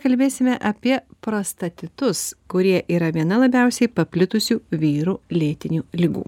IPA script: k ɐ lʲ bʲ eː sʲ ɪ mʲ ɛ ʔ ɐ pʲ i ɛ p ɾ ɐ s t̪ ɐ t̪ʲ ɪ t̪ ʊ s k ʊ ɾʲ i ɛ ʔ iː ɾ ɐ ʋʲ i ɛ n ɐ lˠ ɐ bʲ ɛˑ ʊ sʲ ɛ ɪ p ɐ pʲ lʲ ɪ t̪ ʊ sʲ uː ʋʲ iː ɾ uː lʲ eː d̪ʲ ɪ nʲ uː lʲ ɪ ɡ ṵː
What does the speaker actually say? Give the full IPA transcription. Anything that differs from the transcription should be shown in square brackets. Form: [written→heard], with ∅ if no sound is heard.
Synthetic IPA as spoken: k ɐ lʲ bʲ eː sʲ ɪ mʲ ɛ ʔ ɐ pʲ i ɛ p ɾ ɐ s t̪ ɐ t̪ʲ ɪ t̪ ʊ s k ʊ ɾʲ i ɛ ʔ iː ɾ ɐ ʋʲ i ɛ n ɐ lˠ ɐ bʲ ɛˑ ʊ sʲ ɛ ɪ p ɐ pʲ lʲ ɪ t̪ ʊ sʲ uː ʋʲ iː ɾ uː lʲ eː [d̪ʲ→t̪ʲ] ɪ nʲ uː lʲ ɪ ɡ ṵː